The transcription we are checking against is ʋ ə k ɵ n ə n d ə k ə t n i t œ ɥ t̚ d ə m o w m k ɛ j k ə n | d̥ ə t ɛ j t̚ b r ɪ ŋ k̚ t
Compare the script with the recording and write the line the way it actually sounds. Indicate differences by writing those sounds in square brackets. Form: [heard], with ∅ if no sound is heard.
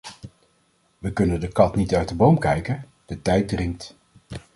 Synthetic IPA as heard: ʋ ə k ɵ n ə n d ə k [ɑ] t n i t œ ɥ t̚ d ə [b] o w m k ɛ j k ə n | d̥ ə t ɛ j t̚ [d] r ɪ ŋ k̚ t